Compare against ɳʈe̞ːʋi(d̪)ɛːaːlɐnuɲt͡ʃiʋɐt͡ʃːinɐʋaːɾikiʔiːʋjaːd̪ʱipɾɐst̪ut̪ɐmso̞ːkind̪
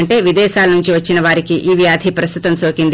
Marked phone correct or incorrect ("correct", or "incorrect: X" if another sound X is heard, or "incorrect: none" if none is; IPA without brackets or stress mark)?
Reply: correct